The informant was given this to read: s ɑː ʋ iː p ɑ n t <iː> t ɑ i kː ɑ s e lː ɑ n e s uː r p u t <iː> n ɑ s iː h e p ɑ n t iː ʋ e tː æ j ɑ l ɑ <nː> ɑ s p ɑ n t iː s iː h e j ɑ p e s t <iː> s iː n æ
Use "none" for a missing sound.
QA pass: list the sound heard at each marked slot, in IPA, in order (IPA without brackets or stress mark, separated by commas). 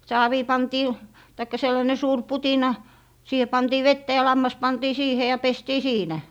iː, i, mː, iː